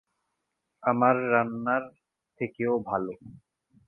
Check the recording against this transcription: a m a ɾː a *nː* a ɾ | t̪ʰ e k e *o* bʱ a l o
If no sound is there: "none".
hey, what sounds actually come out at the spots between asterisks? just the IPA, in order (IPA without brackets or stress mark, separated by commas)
nː, o